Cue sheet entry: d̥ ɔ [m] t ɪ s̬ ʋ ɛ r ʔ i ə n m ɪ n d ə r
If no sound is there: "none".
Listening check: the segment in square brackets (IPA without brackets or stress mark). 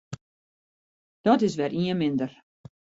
none